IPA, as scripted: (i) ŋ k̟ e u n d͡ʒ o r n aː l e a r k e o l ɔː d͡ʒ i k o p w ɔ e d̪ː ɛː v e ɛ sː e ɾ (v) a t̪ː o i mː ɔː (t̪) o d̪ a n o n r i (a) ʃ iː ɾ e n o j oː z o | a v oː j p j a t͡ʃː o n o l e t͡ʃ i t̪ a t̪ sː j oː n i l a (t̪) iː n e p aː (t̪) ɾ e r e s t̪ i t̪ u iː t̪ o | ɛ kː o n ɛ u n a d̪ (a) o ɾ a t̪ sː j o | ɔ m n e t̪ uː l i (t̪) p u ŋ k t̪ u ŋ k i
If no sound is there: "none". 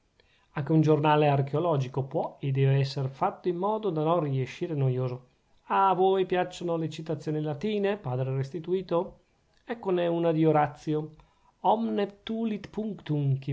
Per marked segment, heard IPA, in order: a, f, d̪, e, t̪, d̪, i, t̪

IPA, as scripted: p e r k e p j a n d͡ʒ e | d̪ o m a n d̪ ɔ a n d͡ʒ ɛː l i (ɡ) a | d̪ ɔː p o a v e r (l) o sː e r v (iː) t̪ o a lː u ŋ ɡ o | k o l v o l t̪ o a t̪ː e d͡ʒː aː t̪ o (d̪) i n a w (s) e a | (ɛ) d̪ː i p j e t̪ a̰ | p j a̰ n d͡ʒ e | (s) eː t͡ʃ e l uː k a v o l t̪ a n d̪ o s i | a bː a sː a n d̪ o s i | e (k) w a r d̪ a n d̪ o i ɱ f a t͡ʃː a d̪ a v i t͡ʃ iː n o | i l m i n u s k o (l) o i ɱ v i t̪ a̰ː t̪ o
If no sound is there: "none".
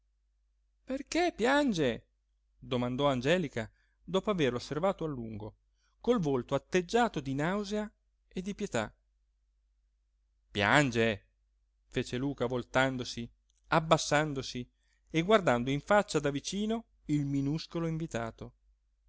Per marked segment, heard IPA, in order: k, l, aː, d̪, z, e, f, ɡ, l

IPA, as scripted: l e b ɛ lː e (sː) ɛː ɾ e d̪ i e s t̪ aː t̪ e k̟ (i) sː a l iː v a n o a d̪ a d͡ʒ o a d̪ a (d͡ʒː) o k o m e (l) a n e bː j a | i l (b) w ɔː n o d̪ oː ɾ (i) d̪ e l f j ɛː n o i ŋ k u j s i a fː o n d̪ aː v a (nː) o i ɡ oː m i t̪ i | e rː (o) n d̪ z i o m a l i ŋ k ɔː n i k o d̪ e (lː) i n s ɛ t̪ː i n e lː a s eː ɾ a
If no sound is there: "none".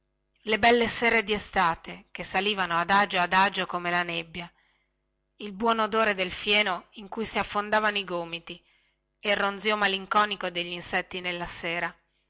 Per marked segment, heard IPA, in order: s, e, d͡ʒ, l, b, e, n, o, ʎː

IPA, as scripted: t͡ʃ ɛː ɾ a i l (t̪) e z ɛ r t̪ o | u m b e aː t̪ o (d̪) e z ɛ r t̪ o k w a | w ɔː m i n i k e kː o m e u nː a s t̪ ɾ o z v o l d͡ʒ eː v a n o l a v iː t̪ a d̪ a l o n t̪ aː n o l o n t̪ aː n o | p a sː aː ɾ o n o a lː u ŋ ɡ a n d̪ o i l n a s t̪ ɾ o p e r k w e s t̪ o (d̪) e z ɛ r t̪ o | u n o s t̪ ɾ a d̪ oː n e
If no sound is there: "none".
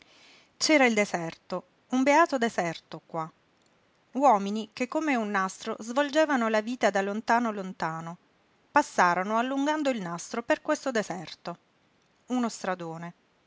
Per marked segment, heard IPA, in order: d̪, d̪, d̪

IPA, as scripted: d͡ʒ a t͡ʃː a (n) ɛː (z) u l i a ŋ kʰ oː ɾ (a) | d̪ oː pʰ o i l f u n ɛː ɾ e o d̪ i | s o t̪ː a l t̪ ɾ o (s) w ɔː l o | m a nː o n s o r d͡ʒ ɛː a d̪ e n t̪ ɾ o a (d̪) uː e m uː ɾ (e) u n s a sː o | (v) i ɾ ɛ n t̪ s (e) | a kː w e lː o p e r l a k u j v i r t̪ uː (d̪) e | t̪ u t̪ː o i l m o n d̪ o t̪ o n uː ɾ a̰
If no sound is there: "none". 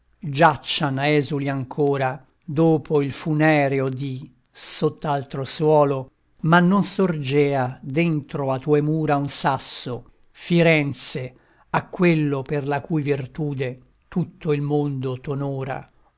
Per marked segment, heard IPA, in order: n, z, a, s, t̪, a, f, e, d̪

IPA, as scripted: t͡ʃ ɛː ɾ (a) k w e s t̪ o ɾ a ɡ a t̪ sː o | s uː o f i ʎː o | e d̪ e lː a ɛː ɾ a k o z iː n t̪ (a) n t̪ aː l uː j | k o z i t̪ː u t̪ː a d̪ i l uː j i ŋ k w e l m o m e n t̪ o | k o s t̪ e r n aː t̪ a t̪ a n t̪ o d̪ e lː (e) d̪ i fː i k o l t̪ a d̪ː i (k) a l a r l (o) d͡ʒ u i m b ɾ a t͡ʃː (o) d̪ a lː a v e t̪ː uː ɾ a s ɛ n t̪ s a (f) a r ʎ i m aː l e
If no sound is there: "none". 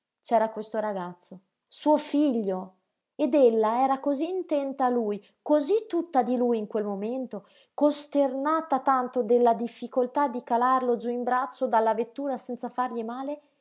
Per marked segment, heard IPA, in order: a, ɛ, a, k, o, o, f

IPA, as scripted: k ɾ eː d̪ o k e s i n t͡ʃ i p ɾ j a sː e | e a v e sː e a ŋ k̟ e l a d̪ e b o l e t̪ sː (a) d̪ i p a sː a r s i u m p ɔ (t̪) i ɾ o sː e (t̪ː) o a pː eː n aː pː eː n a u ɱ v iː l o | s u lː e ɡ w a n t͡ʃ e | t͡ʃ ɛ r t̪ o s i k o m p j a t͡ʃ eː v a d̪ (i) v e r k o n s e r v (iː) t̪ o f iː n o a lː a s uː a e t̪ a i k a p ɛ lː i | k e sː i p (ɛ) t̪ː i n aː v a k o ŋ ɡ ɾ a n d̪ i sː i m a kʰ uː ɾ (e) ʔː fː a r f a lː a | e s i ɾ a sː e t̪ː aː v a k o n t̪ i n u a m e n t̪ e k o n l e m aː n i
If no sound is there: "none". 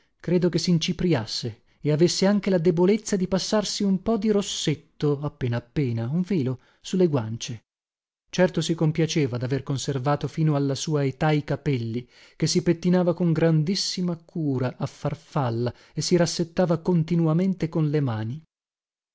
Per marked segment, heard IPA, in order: a, d̪, t̪ː, a, aː, e, a

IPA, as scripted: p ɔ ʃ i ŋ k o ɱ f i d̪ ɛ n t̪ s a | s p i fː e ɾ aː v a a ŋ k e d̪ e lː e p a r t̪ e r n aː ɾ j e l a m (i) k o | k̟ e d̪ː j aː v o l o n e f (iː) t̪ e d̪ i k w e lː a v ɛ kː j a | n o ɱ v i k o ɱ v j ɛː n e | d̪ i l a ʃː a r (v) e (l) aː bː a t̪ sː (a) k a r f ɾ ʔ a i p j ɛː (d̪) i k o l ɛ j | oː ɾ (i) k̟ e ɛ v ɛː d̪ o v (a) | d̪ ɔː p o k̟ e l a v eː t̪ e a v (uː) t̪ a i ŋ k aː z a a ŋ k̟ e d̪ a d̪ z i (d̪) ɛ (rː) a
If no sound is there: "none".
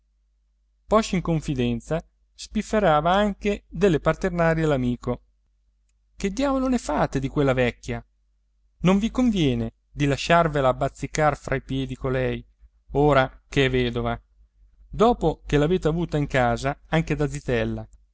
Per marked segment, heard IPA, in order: iː, aː, v, l, i, d̪, a, a, uː, t̪, lː

